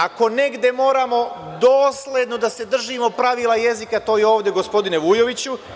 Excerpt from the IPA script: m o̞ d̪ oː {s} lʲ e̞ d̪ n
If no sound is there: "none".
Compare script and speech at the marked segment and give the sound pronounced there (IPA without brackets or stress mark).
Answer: s